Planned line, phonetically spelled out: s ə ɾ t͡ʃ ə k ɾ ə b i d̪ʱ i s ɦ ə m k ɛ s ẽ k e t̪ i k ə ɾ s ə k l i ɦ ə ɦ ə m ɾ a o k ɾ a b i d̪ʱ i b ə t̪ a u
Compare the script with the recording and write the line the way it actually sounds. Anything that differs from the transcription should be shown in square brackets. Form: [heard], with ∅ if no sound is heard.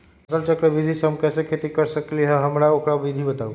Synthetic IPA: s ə [l] t͡ʃ ə k ɾ ə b i d̪ʱ i s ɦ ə m k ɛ s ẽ [kʰ] e t̪ i k ə ɾ s ə k l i ɦ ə ɦ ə m ɾ a o k ɾ a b i d̪ʱ i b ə t̪ a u